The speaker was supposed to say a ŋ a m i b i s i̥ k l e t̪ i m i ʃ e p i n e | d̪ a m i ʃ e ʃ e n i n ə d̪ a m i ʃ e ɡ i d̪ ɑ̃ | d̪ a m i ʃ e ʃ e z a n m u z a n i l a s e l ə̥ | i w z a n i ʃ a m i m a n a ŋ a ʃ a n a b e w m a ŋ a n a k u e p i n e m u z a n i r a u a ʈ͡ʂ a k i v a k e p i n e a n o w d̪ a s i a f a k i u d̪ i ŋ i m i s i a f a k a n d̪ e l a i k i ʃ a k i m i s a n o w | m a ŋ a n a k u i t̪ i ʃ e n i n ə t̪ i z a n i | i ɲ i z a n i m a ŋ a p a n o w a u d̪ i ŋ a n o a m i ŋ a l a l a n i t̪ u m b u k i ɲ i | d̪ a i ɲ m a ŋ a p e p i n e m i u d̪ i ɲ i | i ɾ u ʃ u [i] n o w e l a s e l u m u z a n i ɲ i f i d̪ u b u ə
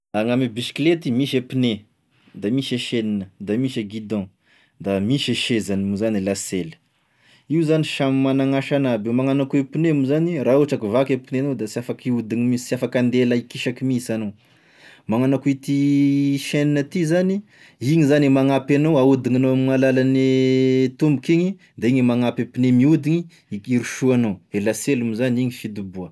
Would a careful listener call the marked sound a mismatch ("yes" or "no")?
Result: yes